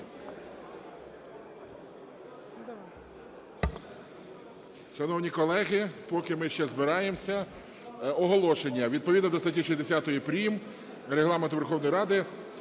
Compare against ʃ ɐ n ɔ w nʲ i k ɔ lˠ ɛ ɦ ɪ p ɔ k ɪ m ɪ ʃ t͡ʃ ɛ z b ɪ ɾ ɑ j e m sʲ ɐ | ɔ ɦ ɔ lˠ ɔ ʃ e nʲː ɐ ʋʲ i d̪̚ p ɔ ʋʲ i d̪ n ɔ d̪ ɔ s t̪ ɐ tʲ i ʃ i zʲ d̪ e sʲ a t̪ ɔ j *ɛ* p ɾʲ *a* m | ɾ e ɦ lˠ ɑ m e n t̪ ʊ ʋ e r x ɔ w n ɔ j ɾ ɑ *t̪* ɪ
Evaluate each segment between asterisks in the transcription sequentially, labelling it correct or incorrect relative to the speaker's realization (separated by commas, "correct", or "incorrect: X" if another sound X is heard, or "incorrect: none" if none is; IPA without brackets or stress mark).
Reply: incorrect: i, incorrect: i, incorrect: d̪